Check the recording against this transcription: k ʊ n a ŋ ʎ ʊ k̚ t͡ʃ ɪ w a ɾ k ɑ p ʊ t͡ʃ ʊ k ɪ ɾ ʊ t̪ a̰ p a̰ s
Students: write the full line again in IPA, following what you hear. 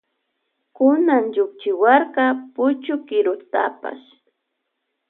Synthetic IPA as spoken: k ʊ n a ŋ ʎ ʊ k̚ t͡ʃ ɪ w a ɾ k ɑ p ʊ t͡ʃ ʊ k ɪ ɾ ʊ t̪ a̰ p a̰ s